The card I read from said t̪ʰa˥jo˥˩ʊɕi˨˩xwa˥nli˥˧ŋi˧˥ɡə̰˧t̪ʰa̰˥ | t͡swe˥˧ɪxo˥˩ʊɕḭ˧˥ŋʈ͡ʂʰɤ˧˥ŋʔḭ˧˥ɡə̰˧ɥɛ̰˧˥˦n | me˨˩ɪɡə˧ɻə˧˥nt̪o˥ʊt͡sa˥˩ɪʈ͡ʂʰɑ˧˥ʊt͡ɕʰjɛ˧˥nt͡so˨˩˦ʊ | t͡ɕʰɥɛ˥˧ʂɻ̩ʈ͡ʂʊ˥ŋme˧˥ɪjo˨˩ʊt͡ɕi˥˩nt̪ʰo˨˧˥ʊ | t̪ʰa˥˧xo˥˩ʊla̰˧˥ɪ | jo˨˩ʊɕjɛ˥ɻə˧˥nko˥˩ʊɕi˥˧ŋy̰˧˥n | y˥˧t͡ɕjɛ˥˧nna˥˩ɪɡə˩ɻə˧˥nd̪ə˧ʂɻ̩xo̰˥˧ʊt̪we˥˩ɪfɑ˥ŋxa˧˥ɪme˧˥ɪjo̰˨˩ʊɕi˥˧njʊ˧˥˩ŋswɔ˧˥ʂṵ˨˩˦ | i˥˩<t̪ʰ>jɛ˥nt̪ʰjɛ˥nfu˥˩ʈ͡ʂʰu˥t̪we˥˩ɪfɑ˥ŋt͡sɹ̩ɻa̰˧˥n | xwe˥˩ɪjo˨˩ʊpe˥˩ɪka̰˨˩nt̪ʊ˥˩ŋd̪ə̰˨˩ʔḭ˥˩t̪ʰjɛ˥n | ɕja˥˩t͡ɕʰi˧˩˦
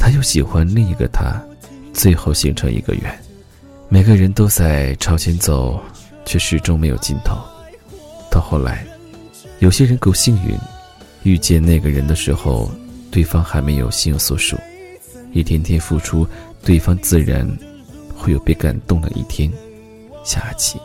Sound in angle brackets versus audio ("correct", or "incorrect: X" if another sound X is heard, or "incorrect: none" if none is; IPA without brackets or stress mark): correct